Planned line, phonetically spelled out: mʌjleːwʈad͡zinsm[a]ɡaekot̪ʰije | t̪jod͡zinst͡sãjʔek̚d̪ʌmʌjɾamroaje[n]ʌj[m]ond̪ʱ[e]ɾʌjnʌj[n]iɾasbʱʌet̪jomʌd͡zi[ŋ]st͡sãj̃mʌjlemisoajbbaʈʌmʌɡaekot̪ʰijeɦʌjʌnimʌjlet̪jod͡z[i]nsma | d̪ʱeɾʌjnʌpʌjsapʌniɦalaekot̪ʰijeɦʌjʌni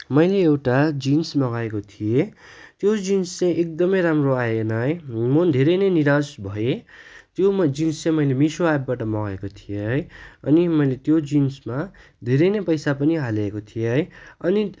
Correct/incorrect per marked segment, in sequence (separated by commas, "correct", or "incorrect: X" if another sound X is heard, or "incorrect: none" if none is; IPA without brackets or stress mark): incorrect: ʌ, correct, correct, correct, correct, incorrect: n, correct